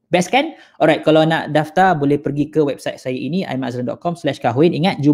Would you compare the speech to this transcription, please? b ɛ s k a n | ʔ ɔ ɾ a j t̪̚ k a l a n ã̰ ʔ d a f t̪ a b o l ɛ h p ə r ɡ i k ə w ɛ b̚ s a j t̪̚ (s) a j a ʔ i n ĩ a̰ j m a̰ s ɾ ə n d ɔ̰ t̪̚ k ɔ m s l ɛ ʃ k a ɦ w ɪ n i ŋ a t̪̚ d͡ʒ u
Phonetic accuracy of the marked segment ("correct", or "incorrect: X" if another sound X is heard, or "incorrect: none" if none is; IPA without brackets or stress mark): correct